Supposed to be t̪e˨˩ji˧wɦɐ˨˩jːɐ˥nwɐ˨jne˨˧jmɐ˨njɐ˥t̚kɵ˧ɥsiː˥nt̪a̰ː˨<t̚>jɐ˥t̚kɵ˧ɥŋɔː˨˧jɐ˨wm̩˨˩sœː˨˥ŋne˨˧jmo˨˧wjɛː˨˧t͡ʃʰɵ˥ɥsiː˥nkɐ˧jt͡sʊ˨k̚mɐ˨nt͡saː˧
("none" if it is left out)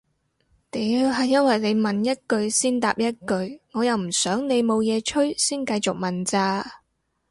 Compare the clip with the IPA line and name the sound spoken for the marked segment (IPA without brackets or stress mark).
p̚